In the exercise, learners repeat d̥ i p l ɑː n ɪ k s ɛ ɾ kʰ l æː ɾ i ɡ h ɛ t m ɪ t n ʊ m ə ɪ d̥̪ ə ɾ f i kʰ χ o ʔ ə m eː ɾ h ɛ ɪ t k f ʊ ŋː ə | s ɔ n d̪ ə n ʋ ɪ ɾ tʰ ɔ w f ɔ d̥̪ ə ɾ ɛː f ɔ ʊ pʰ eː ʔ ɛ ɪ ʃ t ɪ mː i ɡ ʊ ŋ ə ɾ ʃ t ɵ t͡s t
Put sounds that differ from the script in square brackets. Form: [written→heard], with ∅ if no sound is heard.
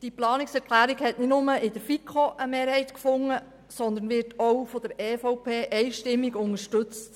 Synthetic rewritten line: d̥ i p l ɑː n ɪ k s ɛ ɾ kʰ l æː ɾ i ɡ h ɛ t [m→n] ɪ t n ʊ m ə ɪ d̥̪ ə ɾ f i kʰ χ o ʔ ə m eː ɾ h ɛ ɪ t k f ʊ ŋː ə | s ɔ n d̪ ə n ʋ ɪ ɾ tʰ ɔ w f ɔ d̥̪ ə ɾ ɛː f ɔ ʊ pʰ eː ʔ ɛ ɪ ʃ t ɪ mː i ɡ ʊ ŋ ə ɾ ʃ t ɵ t͡s t